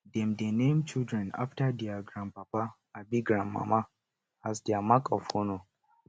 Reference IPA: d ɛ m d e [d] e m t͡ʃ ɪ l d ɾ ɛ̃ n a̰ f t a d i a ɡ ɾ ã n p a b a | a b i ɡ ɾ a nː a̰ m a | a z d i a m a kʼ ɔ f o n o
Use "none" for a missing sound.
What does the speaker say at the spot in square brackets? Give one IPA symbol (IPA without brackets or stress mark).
n